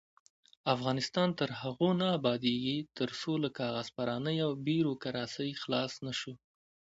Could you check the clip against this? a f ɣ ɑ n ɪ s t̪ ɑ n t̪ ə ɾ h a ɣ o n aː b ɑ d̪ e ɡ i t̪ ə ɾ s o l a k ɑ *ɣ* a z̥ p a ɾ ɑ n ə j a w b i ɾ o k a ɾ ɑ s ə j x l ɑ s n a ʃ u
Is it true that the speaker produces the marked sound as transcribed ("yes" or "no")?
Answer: yes